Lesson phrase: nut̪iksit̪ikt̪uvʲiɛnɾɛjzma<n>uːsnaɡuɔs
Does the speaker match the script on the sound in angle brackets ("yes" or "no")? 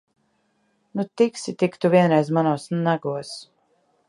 yes